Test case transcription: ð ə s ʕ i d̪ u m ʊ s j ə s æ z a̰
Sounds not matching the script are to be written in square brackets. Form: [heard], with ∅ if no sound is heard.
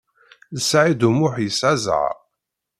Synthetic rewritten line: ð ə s ʕ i d̪ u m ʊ [ħ] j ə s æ z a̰